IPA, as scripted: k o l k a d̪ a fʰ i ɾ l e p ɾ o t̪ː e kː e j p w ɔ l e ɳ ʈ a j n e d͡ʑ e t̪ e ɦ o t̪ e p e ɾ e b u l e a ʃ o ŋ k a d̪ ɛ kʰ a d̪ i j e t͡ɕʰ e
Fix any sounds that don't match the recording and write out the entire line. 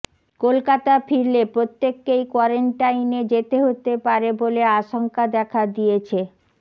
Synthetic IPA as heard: k o l k a t̪ a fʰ i ɾ l e p ɾ o t̪ː e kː e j k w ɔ ɾ e ɳ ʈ a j n e d͡ʑ e t̪ e ɦ o t̪ e p a ɾ e b o l e a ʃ o ŋ k a d̪ ɛ kʰ a d̪ i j e t͡ɕʰ e